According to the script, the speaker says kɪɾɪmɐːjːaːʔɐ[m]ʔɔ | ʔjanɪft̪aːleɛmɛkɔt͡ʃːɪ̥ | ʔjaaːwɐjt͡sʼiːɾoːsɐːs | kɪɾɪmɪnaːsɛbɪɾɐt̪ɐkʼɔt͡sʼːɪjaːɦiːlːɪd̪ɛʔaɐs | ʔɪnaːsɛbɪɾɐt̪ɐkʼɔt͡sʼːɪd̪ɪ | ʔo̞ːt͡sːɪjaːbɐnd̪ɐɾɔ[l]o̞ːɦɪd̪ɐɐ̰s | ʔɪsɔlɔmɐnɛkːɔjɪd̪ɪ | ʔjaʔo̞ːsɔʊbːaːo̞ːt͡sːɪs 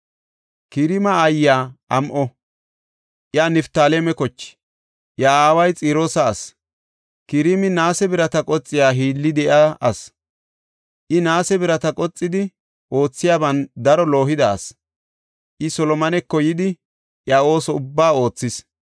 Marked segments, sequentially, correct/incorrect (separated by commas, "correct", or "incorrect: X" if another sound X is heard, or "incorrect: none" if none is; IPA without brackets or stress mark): correct, correct